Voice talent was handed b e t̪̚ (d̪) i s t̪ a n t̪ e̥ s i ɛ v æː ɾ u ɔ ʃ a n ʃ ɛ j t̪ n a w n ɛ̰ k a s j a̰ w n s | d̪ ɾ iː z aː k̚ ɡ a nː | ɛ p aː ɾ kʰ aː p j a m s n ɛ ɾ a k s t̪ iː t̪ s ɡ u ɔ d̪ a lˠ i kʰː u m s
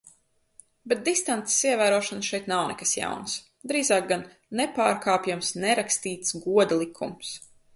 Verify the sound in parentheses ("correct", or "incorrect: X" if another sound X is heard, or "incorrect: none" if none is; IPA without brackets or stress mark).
correct